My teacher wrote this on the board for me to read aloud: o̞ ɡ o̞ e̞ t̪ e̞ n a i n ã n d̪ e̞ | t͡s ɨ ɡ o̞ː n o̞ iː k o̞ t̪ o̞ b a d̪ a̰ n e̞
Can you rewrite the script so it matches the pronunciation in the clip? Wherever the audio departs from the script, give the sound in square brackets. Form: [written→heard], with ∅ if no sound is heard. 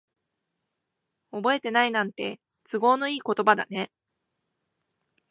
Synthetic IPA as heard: o̞ [ɡ→b] o̞ e̞ t̪ e̞ n a i n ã n [d̪→t̪] e̞ | t͡s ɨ ɡ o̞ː n o̞ iː k o̞ t̪ o̞ b a d̪ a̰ n e̞